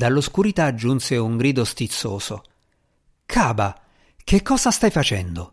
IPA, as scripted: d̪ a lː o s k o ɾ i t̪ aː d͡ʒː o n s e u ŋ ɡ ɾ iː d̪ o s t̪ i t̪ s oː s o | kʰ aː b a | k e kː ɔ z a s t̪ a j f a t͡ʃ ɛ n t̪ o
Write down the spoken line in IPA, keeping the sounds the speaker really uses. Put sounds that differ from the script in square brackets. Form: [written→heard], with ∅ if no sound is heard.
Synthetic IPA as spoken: d̪ a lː o s k [o→u] ɾ i t̪ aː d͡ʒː [o→u] n s e u ŋ ɡ ɾ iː d̪ o s t̪ i t̪ [s→sː] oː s o | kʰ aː b a | k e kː [ɔ→ɔː] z a s t̪ a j f a t͡ʃ ɛ n [t̪→d̪] o